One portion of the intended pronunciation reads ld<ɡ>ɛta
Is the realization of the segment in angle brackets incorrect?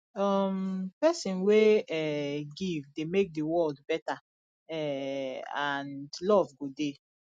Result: yes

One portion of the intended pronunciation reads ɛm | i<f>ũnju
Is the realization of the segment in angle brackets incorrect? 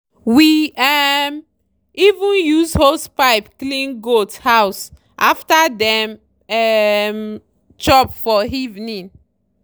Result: yes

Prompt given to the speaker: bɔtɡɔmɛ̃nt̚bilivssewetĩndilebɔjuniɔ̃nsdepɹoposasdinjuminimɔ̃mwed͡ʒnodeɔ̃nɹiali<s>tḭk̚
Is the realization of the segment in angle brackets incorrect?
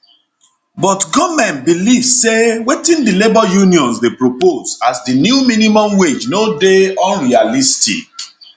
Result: no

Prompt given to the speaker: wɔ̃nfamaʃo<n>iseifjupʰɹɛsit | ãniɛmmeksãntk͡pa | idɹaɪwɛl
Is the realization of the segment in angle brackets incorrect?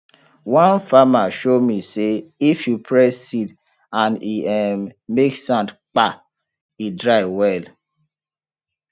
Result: yes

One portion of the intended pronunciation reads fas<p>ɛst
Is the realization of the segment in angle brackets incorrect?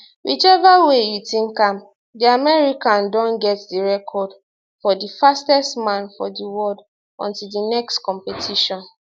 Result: yes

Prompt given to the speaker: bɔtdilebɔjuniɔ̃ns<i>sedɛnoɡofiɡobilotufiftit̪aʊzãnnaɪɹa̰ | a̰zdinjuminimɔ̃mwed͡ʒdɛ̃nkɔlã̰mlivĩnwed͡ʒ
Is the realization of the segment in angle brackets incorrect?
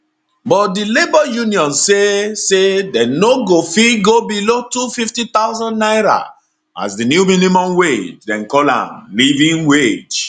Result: yes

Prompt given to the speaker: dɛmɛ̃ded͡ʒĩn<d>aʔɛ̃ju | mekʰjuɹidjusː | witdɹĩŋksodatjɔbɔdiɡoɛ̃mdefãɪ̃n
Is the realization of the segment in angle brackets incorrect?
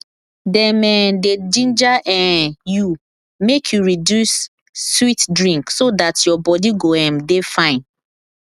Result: yes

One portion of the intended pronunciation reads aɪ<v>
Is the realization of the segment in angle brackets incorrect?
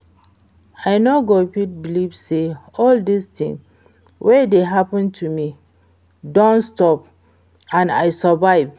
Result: no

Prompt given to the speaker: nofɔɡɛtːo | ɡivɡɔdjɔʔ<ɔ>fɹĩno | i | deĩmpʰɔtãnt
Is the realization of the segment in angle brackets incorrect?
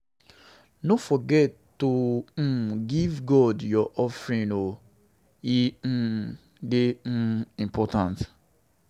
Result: no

